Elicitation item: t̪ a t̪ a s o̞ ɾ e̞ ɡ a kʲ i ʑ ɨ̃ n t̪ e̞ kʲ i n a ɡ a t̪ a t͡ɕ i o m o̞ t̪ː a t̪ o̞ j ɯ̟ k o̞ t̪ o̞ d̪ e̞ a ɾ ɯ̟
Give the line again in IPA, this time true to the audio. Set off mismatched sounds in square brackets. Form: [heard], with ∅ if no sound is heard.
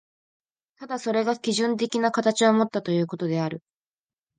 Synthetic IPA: t̪ a [d̪] a s o̞ ɾ e̞ ɡ a kʲ i ʑ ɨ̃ n t̪ e̞ kʲ i n a [k] a t̪ a t͡ɕ i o m o̞ t̪ː a t̪ o̞ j [ɯ̟ː] k o̞ t̪ o̞ d̪ e̞ a ɾ ɯ̟

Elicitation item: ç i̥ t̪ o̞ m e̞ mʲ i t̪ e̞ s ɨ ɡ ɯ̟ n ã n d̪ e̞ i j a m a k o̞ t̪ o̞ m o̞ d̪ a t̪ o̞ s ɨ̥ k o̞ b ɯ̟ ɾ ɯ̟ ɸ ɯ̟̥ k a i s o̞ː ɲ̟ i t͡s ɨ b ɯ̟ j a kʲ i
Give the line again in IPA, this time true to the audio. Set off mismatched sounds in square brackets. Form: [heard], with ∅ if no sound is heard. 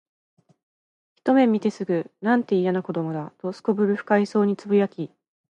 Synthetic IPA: ç i̥ t̪ o̞ m e̞ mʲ i t̪ e̞ s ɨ ɡ ɯ̟ n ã n [t̪] e̞ i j a [n] a k o̞ [d̪] o̞ m o̞ d̪ a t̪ o̞ s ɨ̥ k o̞ b ɯ̟ ɾ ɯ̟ ɸ ɯ̟̥ k a i s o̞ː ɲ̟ i t͡s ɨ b ɯ̟ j a kʲ i

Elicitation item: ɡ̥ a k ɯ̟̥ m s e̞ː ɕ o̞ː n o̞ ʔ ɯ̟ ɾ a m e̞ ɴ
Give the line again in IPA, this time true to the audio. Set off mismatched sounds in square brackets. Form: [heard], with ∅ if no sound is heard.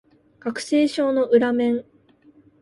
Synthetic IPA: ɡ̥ a k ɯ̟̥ [∅] s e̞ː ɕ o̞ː n o̞ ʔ ɯ̟ ɾ a m [ẽ̞] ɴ

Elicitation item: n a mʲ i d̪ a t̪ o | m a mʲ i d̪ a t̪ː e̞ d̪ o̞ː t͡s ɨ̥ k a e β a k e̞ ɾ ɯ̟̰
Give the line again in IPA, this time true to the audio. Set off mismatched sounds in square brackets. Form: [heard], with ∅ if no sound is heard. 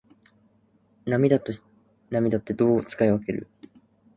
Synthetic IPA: n a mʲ i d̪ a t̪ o | [n] a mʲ i d̪ a t̪ː e̞ d̪ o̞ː t͡s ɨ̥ k a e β a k e̞ ɾ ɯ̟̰

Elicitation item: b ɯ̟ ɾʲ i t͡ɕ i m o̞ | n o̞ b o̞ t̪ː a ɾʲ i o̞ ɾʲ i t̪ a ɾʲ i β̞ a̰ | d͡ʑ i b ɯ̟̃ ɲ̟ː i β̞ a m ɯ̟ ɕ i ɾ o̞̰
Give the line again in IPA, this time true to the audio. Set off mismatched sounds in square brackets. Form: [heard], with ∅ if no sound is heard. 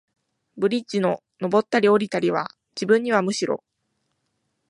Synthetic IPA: b ɯ̟ ɾʲ i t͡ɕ i [n] o̞ | n o̞ b o̞ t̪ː a ɾʲ i o̞ ɾʲ i t̪ a ɾʲ i β̞ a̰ | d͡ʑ i b ɯ̟̃ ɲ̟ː i β̞ a m ɯ̟ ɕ i ɾ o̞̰

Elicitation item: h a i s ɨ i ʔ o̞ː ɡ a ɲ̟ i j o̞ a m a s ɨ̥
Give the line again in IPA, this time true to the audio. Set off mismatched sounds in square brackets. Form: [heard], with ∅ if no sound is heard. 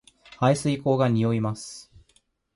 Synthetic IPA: h a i s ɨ i [k] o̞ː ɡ a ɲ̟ i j o̞ [i] m a s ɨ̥

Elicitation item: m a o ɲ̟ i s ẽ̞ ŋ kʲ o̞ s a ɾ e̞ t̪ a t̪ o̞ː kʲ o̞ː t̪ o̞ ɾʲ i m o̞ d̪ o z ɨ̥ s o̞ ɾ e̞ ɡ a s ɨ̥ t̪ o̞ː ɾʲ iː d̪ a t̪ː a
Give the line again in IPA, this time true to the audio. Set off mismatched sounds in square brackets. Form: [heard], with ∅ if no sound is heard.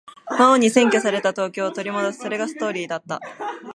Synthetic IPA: m a o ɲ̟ i s ẽ̞ ŋ kʲ o̞ s a ɾ e̞ t̪ a t̪ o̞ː kʲ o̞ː t̪ o̞ ɾʲ i m o̞ d̪ o [s] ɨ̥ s o̞ ɾ e̞ ɡ a s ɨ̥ t̪ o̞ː ɾʲ iː d̪ a t̪ː a

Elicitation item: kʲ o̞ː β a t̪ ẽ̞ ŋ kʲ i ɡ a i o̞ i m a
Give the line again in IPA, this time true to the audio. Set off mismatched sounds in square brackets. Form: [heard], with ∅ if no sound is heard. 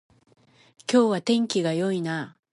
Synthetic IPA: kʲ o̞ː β a t̪ ẽ̞ ŋ kʲ i ɡ a [j] o̞ i [n] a

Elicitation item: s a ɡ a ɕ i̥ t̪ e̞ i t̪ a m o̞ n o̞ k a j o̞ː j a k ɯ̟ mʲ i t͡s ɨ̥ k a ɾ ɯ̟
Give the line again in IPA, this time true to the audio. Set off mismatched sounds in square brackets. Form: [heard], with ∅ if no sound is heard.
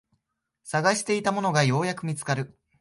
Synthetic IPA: s a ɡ a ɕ i̥ t̪ e̞ i t̪ a m o̞ n o̞ [ɡ] a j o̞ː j a k ɯ̟ mʲ i t͡s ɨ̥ k a ɾ ɯ̟

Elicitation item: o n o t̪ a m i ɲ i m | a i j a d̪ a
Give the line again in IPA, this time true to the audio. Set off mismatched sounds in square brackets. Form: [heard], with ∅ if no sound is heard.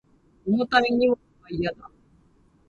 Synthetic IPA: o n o t̪ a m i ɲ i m | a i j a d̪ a

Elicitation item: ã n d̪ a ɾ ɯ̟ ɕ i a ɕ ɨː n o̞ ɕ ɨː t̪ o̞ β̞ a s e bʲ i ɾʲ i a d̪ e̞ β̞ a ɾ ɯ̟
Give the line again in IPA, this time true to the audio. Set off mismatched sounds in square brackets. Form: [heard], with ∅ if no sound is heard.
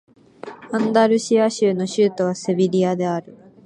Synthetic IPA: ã n d̪ a ɾ ɯ̟ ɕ i a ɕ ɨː n o̞ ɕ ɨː t̪ o̞ β̞ a s e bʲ i ɾʲ i a d̪ e̞ [∅] a ɾ ɯ̟

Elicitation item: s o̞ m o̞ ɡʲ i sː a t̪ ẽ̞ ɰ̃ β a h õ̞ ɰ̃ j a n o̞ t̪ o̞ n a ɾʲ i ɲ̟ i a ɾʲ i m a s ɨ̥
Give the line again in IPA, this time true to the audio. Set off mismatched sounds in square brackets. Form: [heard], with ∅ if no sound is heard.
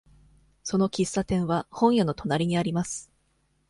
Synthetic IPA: s o̞ [n] o̞ [kʲ] i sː a t̪ ẽ̞ ɰ̃ β a h õ̞ ɰ̃ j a n o̞ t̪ o̞ n a ɾʲ i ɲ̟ i a ɾʲ i m a s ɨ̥

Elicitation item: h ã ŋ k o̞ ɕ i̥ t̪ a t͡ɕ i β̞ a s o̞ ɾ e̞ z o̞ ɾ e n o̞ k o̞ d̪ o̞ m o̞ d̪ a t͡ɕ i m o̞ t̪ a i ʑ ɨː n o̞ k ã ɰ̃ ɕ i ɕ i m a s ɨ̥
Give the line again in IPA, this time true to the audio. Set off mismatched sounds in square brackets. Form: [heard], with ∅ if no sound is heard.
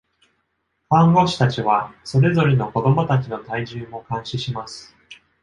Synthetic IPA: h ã ŋ [ɡ] o̞ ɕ i̥ t̪ a t͡ɕ i β̞ a s o̞ ɾ e̞ z o̞ ɾ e n o̞ k o̞ d̪ o̞ m o̞ [t̪] a t͡ɕ i [n] o̞ t̪ a i ʑ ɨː [m] o̞ k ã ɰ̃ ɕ i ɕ i m a s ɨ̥

